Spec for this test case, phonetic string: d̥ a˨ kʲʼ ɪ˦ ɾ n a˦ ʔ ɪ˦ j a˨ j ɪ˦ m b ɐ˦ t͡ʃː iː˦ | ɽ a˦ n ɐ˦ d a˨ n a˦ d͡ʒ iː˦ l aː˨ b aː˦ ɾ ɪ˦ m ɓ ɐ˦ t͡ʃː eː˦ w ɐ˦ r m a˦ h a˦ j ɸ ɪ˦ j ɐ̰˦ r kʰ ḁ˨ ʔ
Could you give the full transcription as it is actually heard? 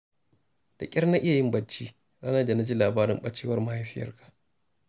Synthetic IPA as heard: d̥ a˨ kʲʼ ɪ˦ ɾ n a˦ ʔ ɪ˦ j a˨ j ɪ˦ m b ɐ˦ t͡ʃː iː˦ | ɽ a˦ n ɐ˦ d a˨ n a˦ d͡ʒ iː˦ l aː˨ b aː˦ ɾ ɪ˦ m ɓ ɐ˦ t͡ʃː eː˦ w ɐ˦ r m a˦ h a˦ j ɸ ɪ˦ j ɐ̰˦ r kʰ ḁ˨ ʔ